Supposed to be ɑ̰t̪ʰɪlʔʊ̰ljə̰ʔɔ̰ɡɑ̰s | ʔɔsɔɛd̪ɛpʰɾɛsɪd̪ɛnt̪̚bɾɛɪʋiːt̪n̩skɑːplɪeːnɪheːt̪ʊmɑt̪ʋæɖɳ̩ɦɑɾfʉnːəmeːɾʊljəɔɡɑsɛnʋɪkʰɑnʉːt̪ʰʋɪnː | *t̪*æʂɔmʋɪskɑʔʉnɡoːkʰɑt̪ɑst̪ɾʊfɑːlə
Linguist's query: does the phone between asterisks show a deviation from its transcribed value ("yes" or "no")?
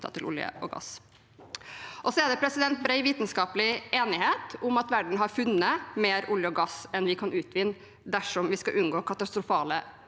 yes